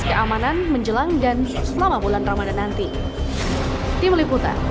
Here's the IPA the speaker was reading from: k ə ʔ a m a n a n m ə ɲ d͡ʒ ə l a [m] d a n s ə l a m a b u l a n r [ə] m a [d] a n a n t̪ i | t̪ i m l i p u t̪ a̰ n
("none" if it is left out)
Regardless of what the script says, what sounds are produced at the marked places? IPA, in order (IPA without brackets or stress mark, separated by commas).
ŋ, a, d